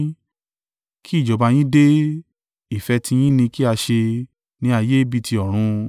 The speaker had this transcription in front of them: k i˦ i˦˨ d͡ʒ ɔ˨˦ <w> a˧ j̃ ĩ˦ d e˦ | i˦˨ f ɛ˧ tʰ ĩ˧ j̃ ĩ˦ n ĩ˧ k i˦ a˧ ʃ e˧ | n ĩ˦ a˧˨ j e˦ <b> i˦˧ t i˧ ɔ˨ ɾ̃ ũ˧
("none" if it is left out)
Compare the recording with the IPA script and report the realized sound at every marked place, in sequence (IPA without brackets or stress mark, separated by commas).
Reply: b, b